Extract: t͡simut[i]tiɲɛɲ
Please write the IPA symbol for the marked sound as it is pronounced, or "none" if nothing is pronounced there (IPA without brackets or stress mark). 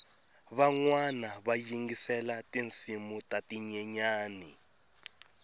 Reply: a